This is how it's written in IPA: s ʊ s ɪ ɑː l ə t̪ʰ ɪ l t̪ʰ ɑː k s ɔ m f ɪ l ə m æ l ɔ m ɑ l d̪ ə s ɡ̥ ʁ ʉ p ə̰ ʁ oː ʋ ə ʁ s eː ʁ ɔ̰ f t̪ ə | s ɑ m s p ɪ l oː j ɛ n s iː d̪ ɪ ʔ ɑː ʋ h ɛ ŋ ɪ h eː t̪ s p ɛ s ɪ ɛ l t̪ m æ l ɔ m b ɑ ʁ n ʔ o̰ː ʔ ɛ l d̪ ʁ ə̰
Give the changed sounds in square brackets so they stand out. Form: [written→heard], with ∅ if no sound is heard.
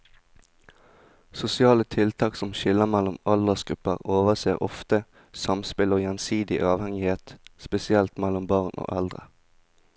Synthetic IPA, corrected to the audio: s ʊ s ɪ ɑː l ə t̪ʰ ɪ l t̪ʰ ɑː k s ɔ m [f→ʃ] ɪ l ə m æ l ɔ m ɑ l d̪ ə s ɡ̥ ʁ ʉ p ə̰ ʁ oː ʋ ə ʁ s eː ʁ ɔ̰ f t̪ ə | s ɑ m s p ɪ l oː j ɛ n s iː d̪ ɪ ʔ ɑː ʋ h ɛ ŋ ɪ h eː t̪ s p ɛ s ɪ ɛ l t̪ m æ l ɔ m b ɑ ʁ n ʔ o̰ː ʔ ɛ l d̪ ʁ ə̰